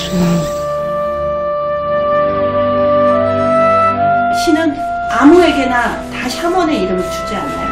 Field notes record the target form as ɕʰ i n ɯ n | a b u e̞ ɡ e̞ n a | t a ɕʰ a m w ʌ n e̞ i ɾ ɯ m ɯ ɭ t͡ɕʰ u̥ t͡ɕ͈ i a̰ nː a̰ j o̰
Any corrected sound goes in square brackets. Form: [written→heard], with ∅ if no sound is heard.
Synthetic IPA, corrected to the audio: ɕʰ i n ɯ n | a [b→m] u e̞ ɡ e̞ n a | t a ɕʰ a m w ʌ n e̞ i ɾ ɯ m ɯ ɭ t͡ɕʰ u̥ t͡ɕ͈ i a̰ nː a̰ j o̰